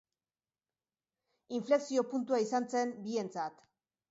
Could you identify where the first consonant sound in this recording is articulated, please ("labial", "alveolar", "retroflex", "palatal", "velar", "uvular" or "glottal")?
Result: labial